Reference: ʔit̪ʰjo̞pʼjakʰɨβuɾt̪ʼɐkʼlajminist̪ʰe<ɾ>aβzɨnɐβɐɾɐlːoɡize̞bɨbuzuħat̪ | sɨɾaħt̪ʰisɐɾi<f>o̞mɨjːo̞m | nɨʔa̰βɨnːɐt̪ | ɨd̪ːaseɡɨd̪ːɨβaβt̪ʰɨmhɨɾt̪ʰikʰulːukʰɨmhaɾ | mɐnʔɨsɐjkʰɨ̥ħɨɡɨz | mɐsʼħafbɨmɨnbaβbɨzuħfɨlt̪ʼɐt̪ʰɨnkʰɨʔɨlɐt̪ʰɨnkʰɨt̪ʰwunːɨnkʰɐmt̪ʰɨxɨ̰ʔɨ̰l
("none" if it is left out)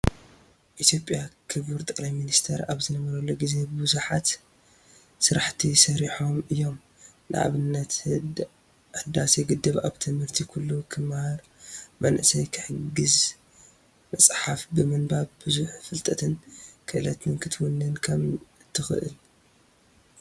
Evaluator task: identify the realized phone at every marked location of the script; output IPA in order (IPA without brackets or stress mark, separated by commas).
ɾ, ħ